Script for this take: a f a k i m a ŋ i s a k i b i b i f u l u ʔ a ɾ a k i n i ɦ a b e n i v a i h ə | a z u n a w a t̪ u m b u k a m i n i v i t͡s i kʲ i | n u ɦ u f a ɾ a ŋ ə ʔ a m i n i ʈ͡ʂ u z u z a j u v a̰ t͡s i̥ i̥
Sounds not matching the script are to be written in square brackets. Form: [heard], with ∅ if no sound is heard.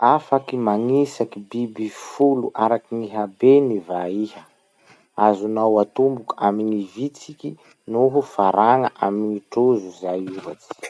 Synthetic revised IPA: a f a k i m a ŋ i s a k i b i b i f u l u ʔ a ɾ a k i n i ɦ a b e n i v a i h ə | a z u n a w a t̪ u m b u k a m i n i v i t͡s i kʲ i | n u ɦ u f a ɾ a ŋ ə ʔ a m i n i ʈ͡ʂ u z u z a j u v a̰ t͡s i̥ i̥